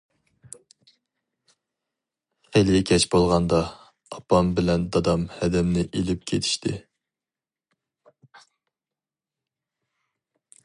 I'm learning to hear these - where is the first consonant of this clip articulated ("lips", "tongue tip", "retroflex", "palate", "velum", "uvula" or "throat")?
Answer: uvula